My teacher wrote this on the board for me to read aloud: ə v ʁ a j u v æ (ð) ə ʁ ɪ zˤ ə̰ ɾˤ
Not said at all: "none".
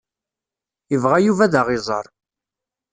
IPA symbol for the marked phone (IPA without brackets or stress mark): ð